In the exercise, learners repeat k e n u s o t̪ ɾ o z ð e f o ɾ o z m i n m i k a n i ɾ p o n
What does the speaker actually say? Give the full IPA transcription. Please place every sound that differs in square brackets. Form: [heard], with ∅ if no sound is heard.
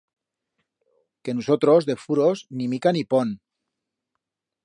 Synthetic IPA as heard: k e n u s o t̪ ɾ o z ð e f [u] ɾ o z [n] i [∅] m i k a n i [∅] p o n